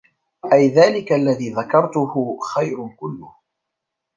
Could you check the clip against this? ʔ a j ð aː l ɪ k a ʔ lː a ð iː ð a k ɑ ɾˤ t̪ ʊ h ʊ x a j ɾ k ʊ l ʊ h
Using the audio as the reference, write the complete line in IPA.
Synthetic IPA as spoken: ʔ a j ð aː l ɪ k a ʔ lː a ð iː ð a k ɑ ɾˤ t̪ ʊ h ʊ x a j ɾ k ʊ lː ʊ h

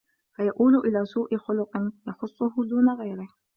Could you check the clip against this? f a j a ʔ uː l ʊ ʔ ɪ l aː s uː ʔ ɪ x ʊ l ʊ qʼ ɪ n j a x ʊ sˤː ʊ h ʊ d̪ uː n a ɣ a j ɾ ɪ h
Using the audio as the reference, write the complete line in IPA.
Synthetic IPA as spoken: f a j a ʔ uː l ʊ ʔ ɪ l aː s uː ʔ ɪ x ʊ l ʊ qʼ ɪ n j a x ʊ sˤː ʊ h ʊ d̪ uː n a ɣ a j ɾ ɪ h

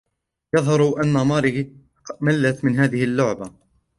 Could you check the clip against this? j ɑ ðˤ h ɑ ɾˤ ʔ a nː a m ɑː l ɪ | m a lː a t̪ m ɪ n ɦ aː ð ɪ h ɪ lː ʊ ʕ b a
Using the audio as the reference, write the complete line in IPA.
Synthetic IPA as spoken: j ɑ ðˤ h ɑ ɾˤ ʔ a nː a m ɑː ɾ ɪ | m a lː a t̪ m ɪ n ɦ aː ð ɪ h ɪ lː ʊ ʕ b a

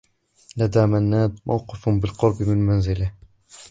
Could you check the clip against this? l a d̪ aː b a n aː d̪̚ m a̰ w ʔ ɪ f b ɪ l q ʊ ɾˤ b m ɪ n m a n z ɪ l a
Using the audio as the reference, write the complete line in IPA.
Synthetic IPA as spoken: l a d̪ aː m a nː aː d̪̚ m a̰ w q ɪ f b ɪ l q ʊ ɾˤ b m ɪ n m a n z ɪ l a

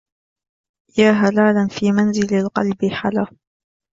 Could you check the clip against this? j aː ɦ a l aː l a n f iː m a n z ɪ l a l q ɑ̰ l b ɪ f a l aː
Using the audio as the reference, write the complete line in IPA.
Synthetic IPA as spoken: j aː ɦ a l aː l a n f iː m a n z ɪ l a l q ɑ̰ l b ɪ ħ a l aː

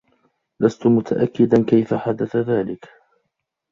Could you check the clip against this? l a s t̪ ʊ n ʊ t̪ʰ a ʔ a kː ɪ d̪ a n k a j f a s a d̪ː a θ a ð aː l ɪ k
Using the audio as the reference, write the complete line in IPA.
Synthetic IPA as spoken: l a s t̪ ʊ m ʊ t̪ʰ a ʔ a kː ɪ d̪ a n k a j f a ħ a d̪ a θ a ð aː l ɪ k

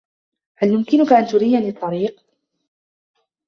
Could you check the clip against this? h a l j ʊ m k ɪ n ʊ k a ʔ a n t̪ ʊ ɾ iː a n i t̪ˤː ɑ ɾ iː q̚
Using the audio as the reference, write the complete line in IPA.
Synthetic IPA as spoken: h a l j ʊ m k ɪ n ʊ k a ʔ a n t̪ ʊ ɾ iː a n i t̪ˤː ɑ ɾ iː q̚

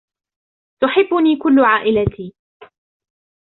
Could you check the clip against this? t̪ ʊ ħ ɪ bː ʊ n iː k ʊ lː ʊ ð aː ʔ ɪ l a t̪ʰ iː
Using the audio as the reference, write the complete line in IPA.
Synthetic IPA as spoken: t̪ ʊ ħ ɪ bː ʊ n iː k ʊ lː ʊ ʕ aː ʔ ɪ l a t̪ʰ iː

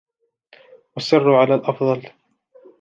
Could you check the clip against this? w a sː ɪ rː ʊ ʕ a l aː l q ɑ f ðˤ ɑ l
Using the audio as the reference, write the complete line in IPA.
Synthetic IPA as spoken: w a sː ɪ rː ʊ ʕ a l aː l ʔ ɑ f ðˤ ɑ l

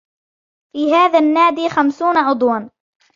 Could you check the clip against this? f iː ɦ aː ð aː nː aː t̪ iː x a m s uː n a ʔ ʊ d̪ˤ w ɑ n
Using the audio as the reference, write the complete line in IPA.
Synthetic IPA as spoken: f iː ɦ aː ð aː nː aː d̪ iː x a m s uː n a ʔ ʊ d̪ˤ w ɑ n

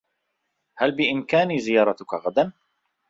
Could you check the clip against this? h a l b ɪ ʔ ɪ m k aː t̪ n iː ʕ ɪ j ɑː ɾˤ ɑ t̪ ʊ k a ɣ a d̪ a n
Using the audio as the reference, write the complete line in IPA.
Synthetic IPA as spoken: h a l b ɪ ʔ ɪ m k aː n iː z ɪ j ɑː ɾˤ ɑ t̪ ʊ k a ɣ a d̪ a n

